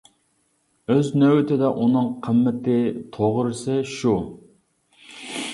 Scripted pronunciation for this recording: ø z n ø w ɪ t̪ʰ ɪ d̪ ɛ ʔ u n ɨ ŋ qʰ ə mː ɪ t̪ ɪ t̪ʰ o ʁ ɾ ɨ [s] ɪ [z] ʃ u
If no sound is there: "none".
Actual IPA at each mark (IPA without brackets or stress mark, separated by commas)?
s, none